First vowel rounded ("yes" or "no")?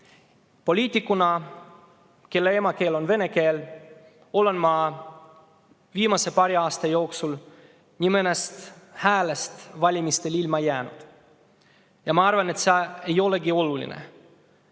yes